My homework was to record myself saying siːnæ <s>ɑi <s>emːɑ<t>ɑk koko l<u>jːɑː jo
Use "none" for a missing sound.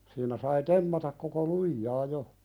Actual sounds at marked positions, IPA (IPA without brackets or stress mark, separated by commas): s, t, t, u